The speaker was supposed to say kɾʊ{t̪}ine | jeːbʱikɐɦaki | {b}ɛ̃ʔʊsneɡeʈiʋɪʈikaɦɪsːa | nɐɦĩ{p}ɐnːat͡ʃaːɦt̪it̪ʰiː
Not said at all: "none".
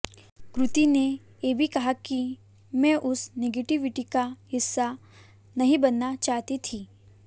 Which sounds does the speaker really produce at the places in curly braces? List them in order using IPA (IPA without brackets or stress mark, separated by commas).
t̪, m, b